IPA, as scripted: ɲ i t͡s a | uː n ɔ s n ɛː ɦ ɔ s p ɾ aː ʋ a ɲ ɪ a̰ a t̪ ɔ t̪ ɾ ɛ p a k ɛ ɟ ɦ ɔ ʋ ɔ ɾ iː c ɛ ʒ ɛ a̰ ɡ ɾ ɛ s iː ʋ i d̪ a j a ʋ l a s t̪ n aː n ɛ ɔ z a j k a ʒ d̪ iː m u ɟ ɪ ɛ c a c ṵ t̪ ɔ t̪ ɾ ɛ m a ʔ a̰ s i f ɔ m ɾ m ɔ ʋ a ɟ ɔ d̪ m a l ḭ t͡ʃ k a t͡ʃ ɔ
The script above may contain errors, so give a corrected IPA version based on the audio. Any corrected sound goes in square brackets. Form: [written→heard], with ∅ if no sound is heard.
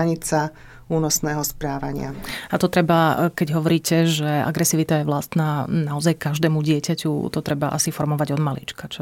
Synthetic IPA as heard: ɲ i t͡s a | uː n ɔ s n ɛː ɦ ɔ s p ɾ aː ʋ a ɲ ɪ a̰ a t̪ ɔ t̪ ɾ ɛ [p→b] a k ɛ ɟ ɦ ɔ ʋ ɔ ɾ iː c ɛ ʒ ɛ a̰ ɡ ɾ ɛ s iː ʋ i [d̪→t̪] a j [a→ɛ] ʋ l a s t̪ n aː n [ɛ→a] ɔ z a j k a ʒ d̪ [iː→ɛː] m u ɟ ɪ ɛ c a c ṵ t̪ ɔ t̪ ɾ ɛ [m→b] a ʔ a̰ s i f ɔ [m→∅] ɾ m ɔ ʋ a ɟ ɔ d̪ m a l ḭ t͡ʃ k a t͡ʃ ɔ